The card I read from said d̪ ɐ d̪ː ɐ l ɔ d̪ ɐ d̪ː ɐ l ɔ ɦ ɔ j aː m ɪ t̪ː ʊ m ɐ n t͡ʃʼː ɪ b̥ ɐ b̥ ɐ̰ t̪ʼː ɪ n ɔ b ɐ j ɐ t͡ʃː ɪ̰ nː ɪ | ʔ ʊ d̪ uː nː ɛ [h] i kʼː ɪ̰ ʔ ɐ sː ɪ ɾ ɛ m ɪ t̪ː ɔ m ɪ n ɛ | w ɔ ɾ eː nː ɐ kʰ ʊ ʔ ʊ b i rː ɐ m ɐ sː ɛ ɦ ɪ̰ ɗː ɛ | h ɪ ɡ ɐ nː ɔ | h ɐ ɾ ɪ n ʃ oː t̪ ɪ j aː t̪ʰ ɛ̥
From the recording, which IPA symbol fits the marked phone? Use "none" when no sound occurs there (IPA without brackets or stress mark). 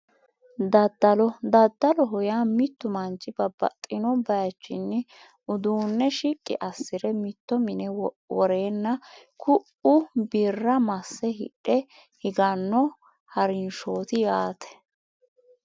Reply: ʃ